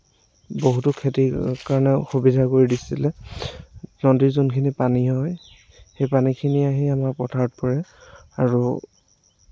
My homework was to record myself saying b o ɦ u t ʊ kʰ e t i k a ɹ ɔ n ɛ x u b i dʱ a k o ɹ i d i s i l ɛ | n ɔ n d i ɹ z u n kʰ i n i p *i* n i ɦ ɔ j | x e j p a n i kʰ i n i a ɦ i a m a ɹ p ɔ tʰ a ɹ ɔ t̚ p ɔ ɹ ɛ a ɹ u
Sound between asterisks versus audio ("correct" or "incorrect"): incorrect